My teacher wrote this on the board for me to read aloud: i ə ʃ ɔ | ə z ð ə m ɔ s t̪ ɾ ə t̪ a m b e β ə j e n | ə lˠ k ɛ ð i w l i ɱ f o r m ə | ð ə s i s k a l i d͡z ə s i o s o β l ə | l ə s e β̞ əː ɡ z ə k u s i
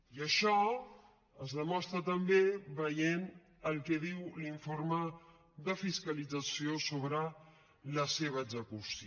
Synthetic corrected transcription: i ə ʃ ɔ | ə z ð ə m ɔ s t̪ ɾ ə t̪ ə m b e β ə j e n | ə lˠ k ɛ ð i w l i ɱ f o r m ə | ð ə f i s k ə l i d͡z ə s i o s o β ɾ ə | l ə s e β̞ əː ɡ z ə k u s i